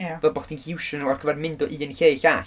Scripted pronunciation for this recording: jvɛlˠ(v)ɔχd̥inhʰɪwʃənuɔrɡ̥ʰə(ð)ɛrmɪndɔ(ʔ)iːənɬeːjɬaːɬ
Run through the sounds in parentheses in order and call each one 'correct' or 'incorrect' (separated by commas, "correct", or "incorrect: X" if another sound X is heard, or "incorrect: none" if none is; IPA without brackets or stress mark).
incorrect: b, incorrect: v, correct